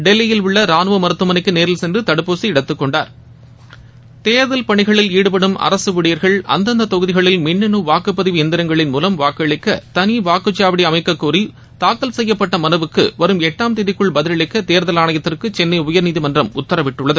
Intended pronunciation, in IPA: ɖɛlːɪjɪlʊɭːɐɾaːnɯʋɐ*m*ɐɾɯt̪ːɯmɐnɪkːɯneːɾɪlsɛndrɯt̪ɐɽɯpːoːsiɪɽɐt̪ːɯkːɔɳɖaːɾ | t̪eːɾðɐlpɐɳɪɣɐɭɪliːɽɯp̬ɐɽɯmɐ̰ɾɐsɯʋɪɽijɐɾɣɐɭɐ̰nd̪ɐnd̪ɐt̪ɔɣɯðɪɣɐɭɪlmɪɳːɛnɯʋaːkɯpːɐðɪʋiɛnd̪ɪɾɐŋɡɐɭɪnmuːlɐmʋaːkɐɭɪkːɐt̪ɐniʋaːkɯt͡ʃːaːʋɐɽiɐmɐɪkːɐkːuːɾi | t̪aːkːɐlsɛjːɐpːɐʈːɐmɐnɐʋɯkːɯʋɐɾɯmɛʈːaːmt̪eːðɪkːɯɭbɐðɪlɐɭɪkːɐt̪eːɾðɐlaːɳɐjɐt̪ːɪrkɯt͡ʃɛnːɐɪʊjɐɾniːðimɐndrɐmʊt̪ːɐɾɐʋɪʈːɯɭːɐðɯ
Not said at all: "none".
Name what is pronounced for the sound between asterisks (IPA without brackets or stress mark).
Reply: m